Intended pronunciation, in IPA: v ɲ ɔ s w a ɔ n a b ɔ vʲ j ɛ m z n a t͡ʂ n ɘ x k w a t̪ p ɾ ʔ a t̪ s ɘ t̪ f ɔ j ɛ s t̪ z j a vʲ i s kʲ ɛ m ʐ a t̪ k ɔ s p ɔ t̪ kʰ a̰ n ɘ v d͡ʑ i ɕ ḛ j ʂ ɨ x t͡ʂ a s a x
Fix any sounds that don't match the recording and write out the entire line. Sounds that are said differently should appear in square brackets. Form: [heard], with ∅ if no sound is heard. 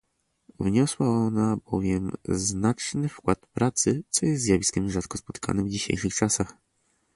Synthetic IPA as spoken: v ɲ ɔ s w a ɔ n a b ɔ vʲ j ɛ m z n a t͡ʂ n ɘ [f] k w a t̪ p ɾ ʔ a t̪ s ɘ t̪ [s] ɔ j ɛ s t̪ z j a vʲ i s kʲ ɛ m ʐ a t̪ k ɔ s p ɔ t̪ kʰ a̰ n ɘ v d͡ʑ i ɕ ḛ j ʂ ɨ x t͡ʂ a s a x